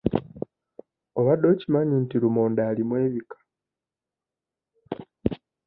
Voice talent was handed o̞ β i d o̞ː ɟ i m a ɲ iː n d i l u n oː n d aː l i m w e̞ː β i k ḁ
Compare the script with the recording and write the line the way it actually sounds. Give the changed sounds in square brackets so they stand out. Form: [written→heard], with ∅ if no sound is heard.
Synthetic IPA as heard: o̞ β [i→a] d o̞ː [ɟ→c] i m a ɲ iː n [d→t] i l u [n→m] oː n d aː l i m w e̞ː β i k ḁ